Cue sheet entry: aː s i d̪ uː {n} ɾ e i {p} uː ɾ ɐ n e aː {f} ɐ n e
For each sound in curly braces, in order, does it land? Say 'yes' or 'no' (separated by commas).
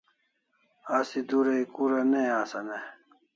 no, no, no